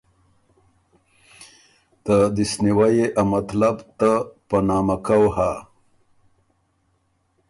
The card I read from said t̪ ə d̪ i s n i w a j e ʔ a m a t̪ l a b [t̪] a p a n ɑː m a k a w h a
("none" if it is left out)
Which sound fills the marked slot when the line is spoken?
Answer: t̪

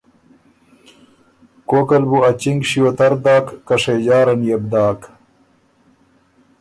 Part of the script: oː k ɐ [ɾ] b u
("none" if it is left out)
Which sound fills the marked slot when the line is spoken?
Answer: l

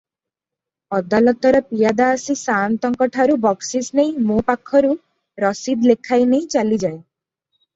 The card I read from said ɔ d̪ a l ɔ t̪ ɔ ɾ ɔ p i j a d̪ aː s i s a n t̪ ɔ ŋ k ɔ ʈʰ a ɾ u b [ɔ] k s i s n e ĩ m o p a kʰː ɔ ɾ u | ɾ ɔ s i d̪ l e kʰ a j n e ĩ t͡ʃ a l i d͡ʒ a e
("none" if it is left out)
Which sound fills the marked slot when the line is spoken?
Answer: ɔ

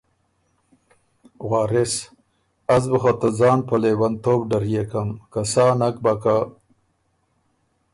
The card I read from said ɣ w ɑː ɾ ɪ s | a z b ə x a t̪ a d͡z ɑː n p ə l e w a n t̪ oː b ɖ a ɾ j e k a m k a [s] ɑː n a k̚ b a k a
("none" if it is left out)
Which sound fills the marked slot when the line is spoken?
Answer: s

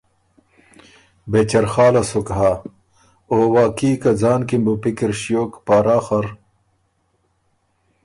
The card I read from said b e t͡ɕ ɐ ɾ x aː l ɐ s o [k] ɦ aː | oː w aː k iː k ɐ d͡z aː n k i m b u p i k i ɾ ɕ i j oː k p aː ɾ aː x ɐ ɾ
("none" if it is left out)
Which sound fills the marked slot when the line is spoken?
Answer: k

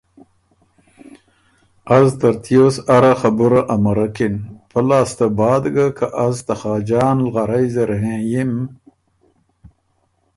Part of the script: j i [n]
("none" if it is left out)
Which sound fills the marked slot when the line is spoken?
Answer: m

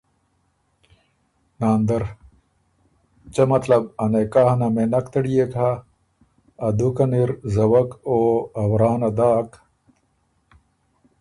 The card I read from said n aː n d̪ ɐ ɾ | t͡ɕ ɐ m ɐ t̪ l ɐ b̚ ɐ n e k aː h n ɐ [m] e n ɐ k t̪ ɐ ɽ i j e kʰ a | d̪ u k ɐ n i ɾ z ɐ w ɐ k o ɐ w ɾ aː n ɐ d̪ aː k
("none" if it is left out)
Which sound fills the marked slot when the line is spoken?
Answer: m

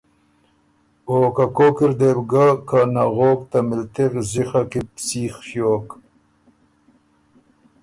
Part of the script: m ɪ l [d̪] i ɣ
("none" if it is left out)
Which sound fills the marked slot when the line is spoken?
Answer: t̪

